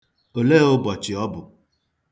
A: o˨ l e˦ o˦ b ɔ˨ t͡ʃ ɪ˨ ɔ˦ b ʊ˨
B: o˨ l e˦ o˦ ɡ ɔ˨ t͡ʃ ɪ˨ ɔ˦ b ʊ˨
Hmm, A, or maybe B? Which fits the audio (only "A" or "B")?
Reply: A